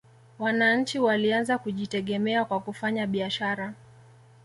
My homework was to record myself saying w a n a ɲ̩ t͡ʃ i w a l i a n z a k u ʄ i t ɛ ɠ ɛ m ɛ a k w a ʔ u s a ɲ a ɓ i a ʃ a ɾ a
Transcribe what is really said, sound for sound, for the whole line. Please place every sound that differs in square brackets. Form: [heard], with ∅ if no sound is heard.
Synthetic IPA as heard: w a n a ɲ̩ t͡ʃ i w a l i a n z a k u ʄ i t ɛ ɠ ɛ m ɛ a k w a [k] u [f] a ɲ a ɓ i a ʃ a ɾ a